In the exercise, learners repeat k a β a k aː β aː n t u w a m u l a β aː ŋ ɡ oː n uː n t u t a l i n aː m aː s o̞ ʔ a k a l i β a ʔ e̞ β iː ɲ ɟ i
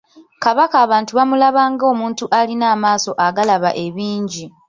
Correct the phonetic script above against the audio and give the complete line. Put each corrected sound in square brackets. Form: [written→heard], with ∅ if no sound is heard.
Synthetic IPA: k a β a k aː β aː n t u [w→β] a m u l a β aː ŋ ɡ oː [n→m] uː n t u [t→ʔ] a l i n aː m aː s o̞ ʔ a [k→ɡ] a l [i→a] β a ʔ e̞ β iː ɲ ɟ i